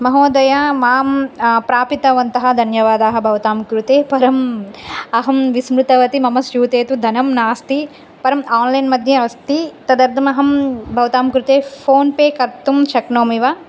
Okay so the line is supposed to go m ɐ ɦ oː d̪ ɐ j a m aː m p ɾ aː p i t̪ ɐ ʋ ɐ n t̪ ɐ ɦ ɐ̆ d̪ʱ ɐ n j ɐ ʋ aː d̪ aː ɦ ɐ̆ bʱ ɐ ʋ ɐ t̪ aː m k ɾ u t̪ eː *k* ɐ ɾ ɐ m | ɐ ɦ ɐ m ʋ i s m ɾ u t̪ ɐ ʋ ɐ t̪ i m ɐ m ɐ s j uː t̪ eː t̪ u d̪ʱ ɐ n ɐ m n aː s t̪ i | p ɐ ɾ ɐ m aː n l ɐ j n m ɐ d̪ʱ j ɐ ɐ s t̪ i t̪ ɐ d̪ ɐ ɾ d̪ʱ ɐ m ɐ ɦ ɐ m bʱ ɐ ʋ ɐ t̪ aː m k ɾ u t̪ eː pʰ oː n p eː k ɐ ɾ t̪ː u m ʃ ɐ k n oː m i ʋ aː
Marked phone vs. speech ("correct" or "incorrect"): incorrect